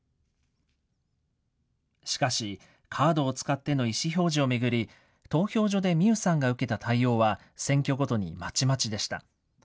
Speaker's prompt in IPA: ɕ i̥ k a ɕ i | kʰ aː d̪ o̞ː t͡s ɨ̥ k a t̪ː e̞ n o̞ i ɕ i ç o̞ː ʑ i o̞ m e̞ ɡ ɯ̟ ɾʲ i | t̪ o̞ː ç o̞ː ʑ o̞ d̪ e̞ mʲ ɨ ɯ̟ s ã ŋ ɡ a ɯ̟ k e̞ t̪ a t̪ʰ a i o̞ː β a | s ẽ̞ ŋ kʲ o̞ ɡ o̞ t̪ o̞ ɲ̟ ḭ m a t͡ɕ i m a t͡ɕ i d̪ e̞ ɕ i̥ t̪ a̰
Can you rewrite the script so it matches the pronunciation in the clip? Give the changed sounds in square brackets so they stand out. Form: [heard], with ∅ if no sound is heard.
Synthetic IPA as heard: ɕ i̥ k a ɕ i | kʰ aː d̪ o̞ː t͡s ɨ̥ k a t̪ː e̞ n o̞ i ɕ i ç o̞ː ʑ i o̞ m e̞ ɡ ɯ̟ ɾʲ i | t̪ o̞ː ç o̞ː ʑ o̞ d̪ e̞ mʲ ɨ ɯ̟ s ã ŋ ɡ a ɯ̟ k e̞ t̪ a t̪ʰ a i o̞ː β a | s ẽ̞ ŋ kʲ o̞ ɡ o̞ t̪ o̞ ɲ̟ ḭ m a t͡ɕ i m a t͡ɕ i d̪ e̞ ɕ i̥ t̪ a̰